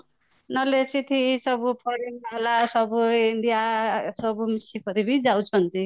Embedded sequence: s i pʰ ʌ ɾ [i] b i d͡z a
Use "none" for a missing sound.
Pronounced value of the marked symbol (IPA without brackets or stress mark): i